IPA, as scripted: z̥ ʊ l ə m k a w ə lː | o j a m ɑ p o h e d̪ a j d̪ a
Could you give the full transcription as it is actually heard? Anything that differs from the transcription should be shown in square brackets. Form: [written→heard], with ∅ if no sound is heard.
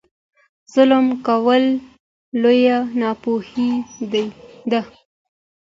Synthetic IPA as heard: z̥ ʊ l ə m k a w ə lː | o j a [m→n] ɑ p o h [e→i] d̪ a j d̪ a